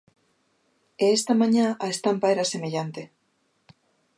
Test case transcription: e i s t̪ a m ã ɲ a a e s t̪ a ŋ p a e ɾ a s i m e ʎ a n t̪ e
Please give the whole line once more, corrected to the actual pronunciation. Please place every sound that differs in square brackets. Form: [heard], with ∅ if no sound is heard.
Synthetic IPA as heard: e [e] s t̪ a m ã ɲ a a e s t̪ a [m] p a e ɾ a s [e] m e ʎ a n t̪ e